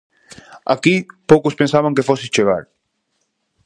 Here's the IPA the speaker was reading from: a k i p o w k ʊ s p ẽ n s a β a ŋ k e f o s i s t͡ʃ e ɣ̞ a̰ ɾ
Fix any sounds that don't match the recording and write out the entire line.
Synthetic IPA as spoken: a k i p o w k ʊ s p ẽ n s a β a ŋ k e f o s i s t͡ʃ e ɣ̞ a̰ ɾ